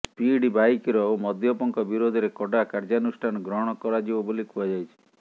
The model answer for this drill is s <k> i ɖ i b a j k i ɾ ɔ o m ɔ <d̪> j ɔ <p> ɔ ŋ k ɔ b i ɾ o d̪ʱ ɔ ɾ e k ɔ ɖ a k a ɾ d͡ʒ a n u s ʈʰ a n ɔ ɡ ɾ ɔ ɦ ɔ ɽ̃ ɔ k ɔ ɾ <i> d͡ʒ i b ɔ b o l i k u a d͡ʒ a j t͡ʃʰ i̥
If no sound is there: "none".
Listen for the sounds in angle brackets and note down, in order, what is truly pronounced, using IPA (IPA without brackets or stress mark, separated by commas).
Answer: p, d̪, p, a